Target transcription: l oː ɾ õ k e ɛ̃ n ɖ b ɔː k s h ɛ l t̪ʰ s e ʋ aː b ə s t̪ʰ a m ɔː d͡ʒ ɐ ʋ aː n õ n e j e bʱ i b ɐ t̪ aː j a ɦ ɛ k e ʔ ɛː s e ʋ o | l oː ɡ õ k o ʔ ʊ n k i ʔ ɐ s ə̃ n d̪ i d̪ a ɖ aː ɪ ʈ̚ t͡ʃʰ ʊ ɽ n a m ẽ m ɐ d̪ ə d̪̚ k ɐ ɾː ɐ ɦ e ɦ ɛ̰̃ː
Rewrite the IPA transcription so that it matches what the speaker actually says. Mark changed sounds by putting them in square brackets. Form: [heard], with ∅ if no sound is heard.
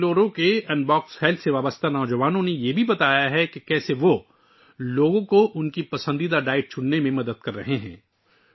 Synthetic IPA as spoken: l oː ɾ õ k e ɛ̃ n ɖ b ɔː k s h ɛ l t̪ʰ s e ʋ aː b ə s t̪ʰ a [n] ɔː d͡ʒ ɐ ʋ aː n õ n e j e bʱ i b ɐ t̪ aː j a ɦ ɛ k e [k] ɛː s e ʋ o | l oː ɡ õ k o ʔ ʊ n k i [p] ɐ s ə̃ n d̪ i d̪ a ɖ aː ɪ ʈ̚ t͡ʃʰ ʊ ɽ n [e] m ẽ m ɐ d̪ ə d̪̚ k ɐ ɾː ɐ ɦ e ɦ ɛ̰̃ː